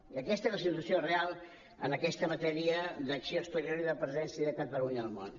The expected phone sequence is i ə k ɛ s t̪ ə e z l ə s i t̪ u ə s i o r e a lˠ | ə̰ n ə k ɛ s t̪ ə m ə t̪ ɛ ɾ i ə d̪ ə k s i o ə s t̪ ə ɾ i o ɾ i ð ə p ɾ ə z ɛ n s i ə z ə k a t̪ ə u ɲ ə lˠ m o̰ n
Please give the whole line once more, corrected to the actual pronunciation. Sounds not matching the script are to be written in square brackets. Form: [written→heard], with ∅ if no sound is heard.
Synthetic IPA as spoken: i ə k ɛ s t̪ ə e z l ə s i t̪ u ə s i o r e a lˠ | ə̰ n ə k ɛ s t̪ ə m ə t̪ ɛ ɾ i ə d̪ ə k s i o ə s t̪ ə ɾ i o ɾ i ð ə p ɾ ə z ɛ n s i ə [z→ð] ə k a t̪ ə u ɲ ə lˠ m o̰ n